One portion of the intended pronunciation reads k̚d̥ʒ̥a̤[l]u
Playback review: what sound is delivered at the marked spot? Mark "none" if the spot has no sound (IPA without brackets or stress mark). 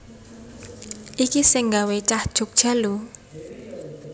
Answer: l